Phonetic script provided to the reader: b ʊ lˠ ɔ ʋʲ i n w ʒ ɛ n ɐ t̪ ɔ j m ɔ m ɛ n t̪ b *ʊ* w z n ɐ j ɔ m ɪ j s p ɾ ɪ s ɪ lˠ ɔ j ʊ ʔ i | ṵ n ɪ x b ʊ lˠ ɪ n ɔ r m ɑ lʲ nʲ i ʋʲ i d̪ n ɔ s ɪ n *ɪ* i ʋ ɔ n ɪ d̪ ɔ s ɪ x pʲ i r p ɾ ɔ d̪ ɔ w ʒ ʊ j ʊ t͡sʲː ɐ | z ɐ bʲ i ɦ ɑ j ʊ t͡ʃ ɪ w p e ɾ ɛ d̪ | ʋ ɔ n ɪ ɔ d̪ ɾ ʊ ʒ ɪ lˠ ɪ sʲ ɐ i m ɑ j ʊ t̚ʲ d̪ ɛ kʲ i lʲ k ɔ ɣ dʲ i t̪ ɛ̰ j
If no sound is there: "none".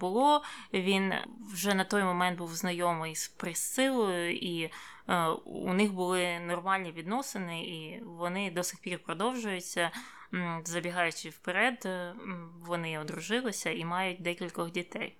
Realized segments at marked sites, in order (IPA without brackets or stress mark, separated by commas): u, ɪ